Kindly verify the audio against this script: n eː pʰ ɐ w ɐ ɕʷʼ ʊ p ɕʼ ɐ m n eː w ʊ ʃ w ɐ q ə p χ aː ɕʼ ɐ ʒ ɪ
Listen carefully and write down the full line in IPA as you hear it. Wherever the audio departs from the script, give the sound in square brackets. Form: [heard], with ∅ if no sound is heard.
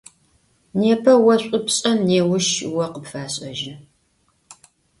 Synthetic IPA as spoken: n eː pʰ ɐ w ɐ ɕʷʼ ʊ p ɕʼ ɐ m n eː w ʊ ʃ w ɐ q ə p [f] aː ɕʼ ɐ ʒ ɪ